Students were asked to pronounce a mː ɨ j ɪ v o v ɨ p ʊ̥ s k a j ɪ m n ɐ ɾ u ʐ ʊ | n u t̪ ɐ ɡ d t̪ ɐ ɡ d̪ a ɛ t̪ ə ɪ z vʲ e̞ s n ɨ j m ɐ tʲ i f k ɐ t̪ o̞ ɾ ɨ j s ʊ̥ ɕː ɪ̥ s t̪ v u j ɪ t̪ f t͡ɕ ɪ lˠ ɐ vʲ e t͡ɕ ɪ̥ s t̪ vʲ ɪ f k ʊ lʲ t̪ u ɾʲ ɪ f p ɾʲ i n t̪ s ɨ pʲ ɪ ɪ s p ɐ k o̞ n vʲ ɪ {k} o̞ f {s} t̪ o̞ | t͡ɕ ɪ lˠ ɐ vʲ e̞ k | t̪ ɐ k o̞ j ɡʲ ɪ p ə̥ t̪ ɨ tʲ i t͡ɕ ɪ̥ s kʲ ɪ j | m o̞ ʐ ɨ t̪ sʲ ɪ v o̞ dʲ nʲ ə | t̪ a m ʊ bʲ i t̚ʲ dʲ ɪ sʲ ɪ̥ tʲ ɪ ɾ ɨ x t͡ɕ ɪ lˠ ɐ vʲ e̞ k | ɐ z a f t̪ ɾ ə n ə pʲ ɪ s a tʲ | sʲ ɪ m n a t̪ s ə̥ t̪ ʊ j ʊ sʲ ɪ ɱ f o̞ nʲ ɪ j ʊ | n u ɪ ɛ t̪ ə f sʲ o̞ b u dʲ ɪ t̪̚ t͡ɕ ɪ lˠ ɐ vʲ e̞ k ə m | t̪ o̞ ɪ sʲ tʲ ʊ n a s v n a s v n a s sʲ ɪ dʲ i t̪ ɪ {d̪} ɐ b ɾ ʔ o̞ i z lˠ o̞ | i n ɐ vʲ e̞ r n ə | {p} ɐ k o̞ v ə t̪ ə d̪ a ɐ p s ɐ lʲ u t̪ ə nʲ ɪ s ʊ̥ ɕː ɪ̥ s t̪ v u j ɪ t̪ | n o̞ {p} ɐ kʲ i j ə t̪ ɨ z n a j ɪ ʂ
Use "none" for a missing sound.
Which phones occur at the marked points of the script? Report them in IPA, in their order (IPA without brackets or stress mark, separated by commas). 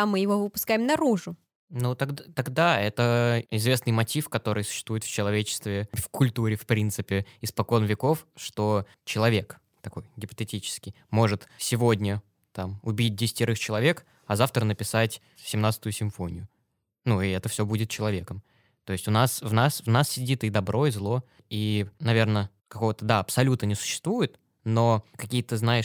k, ʂ, d̪, k, k